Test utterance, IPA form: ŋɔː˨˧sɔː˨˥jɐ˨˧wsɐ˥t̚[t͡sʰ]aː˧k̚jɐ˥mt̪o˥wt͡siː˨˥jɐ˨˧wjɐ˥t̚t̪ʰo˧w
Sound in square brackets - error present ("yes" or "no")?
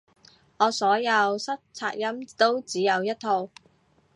no